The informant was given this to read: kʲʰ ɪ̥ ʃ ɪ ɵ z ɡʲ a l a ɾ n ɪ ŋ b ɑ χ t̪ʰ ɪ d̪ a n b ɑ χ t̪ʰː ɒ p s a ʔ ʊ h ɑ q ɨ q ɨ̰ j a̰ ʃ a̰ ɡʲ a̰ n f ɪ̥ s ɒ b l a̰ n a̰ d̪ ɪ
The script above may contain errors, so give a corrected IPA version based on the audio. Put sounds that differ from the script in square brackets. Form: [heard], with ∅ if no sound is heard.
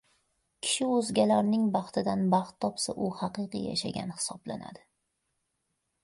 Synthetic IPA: kʲʰ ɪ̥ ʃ ɪ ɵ z ɡʲ a l a ɾ n ɪ ŋ b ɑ χ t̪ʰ ɪ d̪ a n b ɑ χ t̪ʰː ɒ p s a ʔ ʊ h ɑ q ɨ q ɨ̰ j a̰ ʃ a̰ ɡʲ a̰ n [h] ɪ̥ s ɒ b l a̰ n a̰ d̪ ɪ